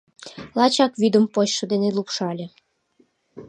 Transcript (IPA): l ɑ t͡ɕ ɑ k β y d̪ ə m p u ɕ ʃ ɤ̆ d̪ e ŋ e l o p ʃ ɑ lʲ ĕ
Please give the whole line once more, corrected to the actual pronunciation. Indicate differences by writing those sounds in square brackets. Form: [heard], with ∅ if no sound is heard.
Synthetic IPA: l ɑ t͡ɕ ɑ k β y d̪ ə m p [o] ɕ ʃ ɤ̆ d̪ e [n] e l [u] p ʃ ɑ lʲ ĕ